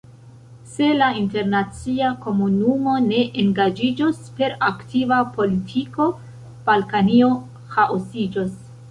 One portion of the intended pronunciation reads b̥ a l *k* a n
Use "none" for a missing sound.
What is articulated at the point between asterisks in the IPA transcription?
k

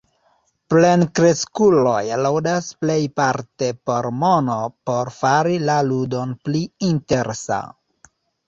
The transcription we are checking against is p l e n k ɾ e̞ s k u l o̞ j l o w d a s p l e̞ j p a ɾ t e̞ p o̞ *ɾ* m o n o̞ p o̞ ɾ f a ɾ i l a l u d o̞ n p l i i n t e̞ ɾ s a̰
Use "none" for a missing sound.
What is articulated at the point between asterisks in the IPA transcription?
ɾ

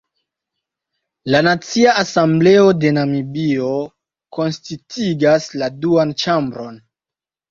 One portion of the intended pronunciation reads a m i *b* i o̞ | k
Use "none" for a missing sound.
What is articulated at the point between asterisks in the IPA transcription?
b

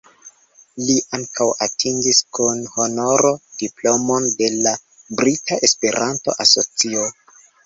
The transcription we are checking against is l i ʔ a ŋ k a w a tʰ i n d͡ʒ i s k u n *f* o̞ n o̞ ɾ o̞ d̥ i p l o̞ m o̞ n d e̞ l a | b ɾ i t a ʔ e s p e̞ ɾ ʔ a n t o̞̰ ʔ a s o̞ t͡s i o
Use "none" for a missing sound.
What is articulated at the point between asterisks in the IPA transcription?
h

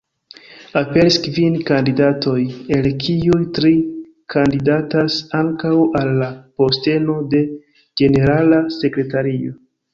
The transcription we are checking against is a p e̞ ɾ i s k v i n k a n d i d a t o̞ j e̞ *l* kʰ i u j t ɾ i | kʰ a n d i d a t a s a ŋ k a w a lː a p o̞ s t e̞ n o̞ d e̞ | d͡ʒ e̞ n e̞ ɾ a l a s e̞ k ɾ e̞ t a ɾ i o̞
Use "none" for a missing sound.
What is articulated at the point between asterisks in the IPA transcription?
l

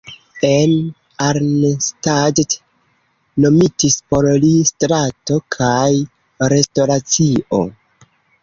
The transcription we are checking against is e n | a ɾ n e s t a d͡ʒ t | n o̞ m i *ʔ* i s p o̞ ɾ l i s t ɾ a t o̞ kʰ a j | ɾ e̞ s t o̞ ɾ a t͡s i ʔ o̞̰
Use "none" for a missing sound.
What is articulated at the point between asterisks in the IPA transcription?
t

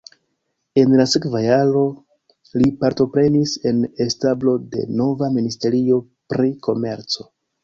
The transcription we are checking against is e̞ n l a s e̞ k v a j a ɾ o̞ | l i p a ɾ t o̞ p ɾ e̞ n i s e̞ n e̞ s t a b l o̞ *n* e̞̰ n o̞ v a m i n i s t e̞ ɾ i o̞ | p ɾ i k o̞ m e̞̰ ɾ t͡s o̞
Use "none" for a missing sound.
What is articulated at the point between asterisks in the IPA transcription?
d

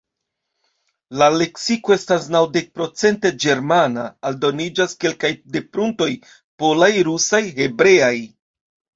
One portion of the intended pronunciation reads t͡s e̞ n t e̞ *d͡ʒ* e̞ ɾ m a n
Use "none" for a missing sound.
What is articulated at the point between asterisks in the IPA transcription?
d͡ʒ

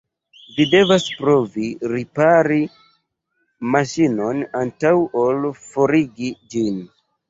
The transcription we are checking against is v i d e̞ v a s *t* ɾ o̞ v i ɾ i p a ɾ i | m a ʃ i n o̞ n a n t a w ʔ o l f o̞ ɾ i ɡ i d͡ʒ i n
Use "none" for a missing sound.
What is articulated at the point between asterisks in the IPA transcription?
p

